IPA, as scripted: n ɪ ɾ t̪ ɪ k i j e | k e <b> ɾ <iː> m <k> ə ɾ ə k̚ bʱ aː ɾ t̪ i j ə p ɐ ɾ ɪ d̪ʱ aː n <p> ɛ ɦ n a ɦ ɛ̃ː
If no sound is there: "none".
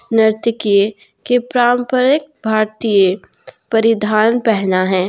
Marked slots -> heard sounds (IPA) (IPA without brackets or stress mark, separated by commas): p, aː, p, p